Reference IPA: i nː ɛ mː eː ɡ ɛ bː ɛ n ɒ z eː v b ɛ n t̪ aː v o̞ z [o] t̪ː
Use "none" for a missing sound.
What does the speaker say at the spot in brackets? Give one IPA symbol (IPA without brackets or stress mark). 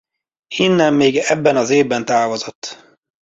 o